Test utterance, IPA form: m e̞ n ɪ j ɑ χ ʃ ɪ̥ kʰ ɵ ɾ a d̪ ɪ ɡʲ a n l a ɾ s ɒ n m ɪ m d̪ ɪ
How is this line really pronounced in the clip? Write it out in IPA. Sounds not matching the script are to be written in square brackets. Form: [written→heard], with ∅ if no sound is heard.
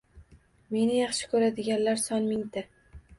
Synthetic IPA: m e̞ n ɪ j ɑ χ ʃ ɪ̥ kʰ ɵ ɾ a d̪ ɪ ɡʲ a n l a ɾ s ɒ n m ɪ [m→ŋ] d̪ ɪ